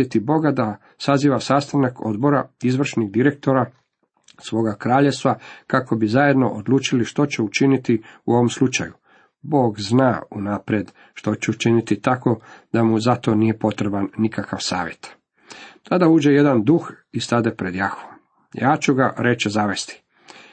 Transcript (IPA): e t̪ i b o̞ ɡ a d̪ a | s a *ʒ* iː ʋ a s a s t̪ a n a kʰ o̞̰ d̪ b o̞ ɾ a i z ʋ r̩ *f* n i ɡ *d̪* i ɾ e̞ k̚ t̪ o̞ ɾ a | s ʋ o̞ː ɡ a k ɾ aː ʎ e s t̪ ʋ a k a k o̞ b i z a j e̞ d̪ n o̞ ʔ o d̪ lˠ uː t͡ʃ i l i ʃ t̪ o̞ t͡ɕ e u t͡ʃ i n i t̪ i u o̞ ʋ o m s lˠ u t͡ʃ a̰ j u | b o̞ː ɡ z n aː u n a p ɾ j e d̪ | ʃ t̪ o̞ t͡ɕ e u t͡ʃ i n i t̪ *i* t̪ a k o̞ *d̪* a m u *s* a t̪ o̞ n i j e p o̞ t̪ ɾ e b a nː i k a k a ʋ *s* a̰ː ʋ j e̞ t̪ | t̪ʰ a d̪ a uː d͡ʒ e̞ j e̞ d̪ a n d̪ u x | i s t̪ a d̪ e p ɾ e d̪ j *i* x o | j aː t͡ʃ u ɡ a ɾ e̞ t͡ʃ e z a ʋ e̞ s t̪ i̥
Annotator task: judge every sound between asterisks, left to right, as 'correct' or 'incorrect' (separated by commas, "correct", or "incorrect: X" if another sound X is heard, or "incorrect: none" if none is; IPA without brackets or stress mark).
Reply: incorrect: z, incorrect: ʃ, correct, correct, correct, incorrect: z, correct, incorrect: a